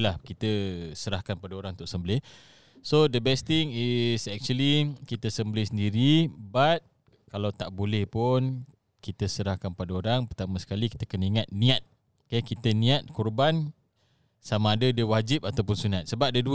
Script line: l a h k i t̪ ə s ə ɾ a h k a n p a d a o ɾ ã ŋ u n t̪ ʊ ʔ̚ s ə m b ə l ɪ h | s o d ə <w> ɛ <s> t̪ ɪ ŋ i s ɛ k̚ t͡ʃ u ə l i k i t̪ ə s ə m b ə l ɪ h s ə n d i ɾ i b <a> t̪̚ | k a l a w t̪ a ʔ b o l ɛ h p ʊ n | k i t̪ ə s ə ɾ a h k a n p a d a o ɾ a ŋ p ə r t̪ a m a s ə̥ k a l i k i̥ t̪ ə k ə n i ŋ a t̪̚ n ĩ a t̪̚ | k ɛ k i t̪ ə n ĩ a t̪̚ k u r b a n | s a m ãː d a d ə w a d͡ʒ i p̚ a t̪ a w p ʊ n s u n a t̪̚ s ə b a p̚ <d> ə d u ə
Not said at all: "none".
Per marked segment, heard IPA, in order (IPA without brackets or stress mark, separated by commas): b, s, a, d